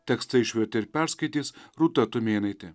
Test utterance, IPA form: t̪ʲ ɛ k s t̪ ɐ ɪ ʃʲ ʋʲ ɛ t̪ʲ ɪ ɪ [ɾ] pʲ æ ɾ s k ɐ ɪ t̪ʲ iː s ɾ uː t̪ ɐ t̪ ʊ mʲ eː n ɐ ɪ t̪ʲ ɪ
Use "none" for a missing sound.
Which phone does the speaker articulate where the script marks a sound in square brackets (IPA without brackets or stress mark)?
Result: ɾ